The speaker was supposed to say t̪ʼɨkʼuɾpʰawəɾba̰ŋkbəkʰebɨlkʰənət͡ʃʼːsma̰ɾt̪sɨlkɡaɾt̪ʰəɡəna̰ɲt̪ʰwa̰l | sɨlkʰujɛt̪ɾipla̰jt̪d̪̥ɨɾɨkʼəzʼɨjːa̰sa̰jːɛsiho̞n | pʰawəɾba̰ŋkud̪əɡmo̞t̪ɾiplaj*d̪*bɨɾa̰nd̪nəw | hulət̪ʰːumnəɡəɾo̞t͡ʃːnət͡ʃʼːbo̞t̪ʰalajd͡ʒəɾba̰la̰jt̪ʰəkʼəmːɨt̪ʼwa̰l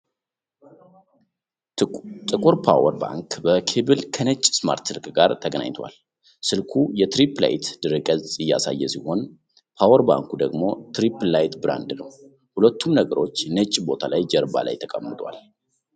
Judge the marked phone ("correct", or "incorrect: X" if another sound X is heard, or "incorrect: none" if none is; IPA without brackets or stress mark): incorrect: t̪